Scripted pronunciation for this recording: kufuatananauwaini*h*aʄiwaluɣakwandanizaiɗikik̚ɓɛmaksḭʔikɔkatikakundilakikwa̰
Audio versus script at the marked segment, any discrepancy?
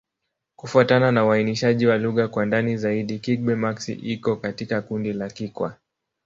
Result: yes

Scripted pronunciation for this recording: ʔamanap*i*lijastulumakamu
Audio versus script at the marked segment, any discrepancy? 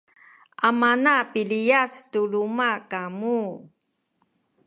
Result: no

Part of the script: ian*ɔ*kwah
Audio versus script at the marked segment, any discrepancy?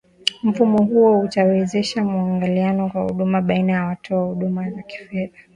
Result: no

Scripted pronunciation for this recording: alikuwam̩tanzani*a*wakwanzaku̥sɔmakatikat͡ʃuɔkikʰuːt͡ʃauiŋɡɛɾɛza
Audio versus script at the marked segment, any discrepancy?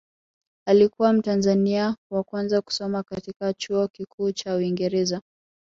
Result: no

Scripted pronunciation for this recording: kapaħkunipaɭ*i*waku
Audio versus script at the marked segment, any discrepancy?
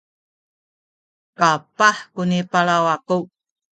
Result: yes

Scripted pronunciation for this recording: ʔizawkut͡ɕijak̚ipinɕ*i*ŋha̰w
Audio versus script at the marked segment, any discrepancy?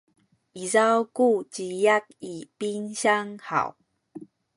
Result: yes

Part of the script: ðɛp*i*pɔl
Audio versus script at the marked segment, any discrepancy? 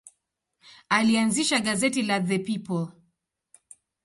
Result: no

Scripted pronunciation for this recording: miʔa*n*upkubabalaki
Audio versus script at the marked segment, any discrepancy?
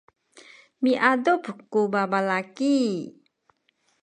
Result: yes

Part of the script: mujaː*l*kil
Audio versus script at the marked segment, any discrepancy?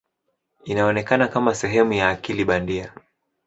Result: yes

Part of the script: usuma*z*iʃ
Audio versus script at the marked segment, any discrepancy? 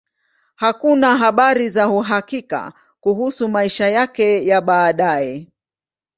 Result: yes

